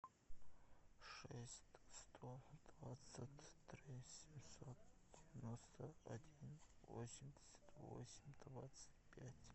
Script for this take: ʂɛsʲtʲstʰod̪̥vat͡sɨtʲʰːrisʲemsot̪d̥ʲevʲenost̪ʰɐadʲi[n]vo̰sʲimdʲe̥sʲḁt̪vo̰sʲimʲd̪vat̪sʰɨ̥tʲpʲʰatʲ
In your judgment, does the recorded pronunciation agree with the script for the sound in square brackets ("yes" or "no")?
yes